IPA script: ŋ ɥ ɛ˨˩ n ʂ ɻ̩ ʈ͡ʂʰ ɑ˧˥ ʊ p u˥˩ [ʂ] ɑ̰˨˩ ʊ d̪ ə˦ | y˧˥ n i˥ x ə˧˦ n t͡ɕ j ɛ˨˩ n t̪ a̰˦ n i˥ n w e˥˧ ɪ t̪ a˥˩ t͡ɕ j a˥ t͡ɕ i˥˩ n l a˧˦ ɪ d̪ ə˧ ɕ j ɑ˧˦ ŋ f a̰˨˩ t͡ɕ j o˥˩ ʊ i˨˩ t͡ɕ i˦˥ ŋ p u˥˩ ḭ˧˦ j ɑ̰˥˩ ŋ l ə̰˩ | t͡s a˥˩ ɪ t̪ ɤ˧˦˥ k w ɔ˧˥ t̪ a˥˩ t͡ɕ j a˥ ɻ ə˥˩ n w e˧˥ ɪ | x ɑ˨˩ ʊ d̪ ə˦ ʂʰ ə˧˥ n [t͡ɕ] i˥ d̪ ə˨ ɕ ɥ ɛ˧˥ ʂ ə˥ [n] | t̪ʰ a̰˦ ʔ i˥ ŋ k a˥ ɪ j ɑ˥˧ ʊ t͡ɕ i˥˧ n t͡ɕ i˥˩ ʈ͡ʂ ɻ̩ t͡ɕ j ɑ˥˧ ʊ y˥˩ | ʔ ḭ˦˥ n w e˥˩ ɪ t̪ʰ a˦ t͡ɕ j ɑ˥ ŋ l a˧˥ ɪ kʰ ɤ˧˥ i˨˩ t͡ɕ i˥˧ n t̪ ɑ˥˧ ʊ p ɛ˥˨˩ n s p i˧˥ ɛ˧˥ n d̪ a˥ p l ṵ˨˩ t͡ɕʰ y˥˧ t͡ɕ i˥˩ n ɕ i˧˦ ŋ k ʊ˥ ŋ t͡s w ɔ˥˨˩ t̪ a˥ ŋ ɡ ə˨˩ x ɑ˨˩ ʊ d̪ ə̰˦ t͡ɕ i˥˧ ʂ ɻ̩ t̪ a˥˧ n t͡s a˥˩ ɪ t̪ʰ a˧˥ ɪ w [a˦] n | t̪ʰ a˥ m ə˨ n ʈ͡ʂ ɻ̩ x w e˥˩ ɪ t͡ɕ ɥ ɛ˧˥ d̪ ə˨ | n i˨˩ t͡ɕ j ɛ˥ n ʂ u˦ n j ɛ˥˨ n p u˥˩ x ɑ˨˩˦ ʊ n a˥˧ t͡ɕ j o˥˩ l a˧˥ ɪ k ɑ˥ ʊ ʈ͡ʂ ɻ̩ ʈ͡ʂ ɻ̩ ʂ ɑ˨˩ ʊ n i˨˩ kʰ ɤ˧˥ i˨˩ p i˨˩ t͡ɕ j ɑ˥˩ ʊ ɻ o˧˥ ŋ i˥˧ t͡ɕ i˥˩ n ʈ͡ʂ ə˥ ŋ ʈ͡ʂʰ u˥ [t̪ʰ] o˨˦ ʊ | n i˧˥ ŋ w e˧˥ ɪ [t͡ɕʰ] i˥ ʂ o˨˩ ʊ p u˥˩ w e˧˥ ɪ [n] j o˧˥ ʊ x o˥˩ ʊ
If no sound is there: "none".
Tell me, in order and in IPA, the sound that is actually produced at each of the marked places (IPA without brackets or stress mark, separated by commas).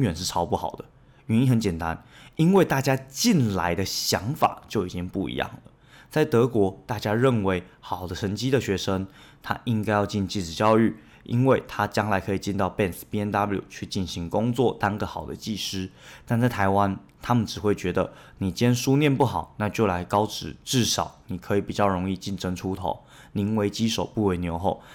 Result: x, t͡ɕ, ŋ, a˦, t̪ʰ, t͡ɕ, n